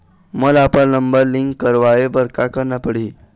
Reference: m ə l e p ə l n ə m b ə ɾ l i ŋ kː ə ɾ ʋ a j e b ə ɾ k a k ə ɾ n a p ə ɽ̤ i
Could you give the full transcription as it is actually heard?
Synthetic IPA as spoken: m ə l a p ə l n ə m b ə ɾ l i ŋ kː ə ɾ ʋ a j e b ə ɾ k a k ə ɾ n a p ə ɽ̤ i